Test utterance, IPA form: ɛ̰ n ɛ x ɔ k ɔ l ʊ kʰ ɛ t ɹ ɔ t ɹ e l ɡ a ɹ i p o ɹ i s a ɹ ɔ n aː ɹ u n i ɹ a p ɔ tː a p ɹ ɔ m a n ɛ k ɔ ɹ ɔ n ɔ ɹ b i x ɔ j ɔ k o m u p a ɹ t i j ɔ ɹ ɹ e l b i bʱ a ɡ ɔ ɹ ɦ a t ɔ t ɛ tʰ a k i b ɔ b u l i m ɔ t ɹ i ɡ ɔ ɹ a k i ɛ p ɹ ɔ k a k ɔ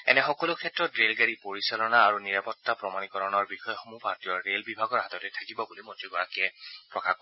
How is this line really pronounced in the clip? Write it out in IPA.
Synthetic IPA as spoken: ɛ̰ n ɛ x ɔ k ɔ l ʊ kʰ ɛ t ɹ ɔ t ɹ e l ɡ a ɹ i p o ɹ i s a l ɔ n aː ɹ u n i ɹ a p ɔ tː a p ɹ ɔ m a n i k ɔ ɹ ɔ n ɔ ɹ b i x ɔ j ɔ x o m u p a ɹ t i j ɔ ɹ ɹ e l b i bʱ a ɡ ɔ ɹ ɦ a t ɔ t ɛ tʰ a k i b ɔ b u l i m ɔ t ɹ i ɡ ɔ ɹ a k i ɛ p ɹ ɔ k a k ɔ